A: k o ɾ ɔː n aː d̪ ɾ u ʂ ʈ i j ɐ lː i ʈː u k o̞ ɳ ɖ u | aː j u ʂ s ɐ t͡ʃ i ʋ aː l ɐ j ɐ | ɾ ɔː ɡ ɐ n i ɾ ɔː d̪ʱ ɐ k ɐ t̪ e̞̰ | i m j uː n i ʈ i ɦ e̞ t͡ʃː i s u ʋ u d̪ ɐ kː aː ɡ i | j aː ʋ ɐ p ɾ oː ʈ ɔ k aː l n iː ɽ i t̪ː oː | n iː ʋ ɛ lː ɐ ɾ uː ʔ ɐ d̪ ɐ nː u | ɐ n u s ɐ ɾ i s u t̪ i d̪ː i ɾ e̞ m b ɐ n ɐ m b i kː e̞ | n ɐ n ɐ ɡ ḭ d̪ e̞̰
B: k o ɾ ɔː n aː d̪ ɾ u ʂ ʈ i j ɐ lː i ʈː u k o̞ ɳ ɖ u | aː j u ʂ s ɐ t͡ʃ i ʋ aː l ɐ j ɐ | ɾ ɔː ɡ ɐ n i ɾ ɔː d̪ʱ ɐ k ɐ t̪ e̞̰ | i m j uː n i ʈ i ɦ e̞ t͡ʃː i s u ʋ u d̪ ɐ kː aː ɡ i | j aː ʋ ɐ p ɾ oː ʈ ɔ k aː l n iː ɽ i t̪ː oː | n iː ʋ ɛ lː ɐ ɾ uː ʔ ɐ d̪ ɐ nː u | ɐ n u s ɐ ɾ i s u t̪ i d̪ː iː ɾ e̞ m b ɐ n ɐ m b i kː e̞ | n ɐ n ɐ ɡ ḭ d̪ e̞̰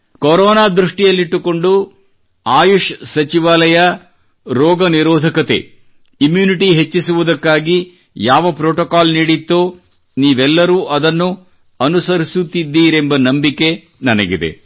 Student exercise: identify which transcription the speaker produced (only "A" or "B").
B